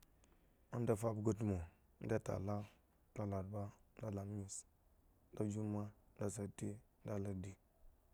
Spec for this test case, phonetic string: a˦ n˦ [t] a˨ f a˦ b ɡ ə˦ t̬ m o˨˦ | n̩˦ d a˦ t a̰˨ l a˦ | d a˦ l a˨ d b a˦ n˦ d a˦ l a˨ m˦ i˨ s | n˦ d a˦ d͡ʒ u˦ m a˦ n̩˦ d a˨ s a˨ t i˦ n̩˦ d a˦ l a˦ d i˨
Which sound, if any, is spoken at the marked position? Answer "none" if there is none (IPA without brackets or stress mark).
d